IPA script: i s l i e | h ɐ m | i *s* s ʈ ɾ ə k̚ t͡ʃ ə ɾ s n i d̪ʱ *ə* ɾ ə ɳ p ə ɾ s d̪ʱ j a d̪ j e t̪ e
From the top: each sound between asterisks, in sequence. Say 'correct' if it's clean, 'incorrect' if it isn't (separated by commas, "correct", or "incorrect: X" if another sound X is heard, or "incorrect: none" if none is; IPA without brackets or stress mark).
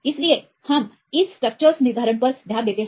correct, incorrect: a